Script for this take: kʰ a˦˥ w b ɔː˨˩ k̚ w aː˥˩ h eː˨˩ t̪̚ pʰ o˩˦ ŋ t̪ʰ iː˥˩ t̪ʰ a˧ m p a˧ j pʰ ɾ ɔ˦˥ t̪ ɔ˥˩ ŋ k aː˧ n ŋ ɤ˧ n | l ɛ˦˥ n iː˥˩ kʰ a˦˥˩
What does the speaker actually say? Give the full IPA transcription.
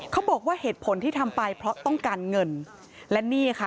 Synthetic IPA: kʰ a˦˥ w b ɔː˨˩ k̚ w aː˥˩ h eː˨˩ t̪̚ pʰ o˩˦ n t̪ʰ iː˥˩ t̪ʰ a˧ m p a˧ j pʰ ɾ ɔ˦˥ t̪ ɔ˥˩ ŋ k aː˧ n ŋ ɤ˧ n | l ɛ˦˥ n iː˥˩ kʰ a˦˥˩